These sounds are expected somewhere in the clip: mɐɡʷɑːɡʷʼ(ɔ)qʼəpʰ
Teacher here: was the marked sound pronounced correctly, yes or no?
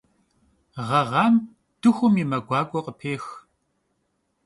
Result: yes